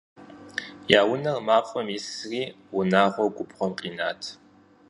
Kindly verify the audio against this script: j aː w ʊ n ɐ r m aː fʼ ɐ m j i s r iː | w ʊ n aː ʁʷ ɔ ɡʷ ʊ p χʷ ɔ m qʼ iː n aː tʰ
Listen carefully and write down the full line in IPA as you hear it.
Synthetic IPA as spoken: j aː w ʊ n ɐ r m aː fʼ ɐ m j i s r iː | w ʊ n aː ʁʷ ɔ ɡʷ ʊ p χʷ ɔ m qʼ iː n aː tʰ